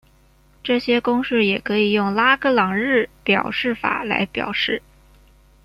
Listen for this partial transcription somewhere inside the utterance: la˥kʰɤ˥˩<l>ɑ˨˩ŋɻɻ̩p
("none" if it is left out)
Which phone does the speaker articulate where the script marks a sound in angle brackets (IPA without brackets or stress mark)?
l